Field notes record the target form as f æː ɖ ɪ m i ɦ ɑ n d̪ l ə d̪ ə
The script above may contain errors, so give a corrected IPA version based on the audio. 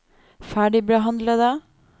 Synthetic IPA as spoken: f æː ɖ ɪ b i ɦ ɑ n d̪ l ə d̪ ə